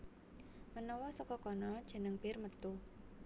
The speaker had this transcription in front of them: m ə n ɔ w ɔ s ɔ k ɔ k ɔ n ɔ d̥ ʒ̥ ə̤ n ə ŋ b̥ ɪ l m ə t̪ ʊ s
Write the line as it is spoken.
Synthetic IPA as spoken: m ə n ɔ w ɔ s ɔ k ɔ k ɔ n ɔ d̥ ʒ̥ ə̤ n ə ŋ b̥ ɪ r m ə t̪ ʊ h